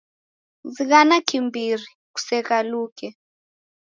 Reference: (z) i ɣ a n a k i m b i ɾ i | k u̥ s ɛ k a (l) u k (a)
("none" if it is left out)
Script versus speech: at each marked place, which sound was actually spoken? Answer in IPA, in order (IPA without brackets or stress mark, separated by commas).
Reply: z, l, ɛ